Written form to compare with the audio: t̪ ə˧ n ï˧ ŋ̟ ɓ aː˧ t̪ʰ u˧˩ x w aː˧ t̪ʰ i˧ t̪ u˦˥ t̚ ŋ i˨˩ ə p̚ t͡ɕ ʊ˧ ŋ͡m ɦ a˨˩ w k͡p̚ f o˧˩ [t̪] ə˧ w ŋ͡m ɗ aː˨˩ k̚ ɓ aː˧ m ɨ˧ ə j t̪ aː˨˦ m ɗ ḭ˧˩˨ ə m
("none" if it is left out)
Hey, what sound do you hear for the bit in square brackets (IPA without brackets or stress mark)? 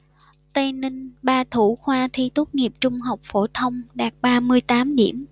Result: t̪ʰ